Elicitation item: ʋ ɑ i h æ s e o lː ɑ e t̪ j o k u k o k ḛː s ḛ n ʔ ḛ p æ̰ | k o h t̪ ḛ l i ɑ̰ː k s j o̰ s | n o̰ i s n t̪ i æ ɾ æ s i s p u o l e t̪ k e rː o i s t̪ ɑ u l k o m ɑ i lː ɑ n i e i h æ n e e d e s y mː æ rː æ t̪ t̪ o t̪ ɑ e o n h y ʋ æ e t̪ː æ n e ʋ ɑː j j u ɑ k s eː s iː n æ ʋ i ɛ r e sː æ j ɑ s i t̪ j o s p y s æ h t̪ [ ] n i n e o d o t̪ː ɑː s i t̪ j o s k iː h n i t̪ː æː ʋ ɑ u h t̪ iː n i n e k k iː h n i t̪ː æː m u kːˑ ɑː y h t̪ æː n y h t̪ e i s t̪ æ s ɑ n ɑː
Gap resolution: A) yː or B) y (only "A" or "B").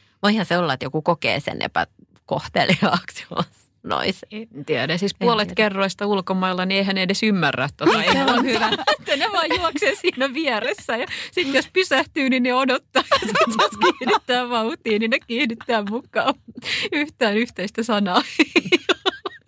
A